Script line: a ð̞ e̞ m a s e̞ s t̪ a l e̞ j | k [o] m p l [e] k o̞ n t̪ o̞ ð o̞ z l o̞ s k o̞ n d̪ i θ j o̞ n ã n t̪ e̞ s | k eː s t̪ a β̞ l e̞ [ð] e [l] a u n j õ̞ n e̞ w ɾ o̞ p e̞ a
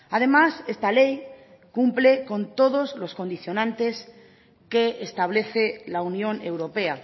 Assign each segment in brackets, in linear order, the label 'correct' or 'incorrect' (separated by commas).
incorrect, correct, incorrect, correct